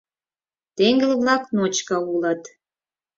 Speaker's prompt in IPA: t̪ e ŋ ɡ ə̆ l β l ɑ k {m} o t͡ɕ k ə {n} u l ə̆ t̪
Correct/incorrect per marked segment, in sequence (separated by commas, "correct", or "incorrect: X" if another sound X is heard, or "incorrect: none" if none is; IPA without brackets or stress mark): incorrect: n, incorrect: none